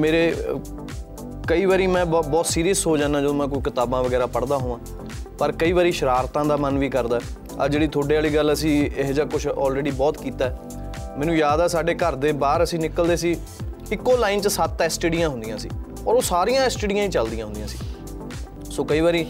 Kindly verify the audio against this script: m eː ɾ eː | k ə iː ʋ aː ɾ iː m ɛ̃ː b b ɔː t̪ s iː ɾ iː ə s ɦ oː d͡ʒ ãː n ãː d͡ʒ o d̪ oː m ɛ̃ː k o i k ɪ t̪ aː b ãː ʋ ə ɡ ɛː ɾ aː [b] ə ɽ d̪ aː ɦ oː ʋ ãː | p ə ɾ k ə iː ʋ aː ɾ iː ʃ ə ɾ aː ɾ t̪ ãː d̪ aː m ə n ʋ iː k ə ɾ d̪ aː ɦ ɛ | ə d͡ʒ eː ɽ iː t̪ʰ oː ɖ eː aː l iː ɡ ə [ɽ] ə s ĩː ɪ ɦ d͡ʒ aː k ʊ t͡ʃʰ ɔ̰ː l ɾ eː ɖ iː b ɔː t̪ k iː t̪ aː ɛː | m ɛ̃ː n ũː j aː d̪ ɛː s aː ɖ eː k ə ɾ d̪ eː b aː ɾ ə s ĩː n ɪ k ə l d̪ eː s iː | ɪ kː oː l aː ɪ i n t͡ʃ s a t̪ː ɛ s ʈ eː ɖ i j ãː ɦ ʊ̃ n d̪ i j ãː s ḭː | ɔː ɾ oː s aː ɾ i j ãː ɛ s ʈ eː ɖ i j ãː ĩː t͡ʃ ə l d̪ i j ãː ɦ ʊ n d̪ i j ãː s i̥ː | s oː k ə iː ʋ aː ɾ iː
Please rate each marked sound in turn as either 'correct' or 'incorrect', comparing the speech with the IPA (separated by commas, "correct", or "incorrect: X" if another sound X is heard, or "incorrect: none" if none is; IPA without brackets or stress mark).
incorrect: p, incorrect: l